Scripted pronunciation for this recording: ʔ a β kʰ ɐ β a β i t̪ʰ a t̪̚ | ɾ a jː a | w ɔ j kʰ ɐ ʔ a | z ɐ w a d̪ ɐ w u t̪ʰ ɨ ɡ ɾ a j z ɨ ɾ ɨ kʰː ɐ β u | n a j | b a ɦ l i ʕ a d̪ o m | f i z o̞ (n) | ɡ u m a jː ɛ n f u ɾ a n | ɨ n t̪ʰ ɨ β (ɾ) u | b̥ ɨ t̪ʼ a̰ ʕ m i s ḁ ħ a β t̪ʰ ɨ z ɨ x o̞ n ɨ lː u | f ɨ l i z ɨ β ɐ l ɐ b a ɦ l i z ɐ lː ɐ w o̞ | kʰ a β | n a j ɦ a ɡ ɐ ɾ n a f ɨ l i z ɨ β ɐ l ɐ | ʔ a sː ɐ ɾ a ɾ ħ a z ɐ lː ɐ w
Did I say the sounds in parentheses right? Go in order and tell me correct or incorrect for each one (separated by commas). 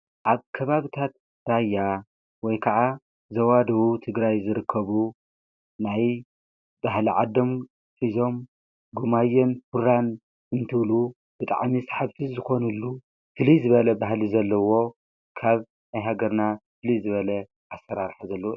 incorrect, incorrect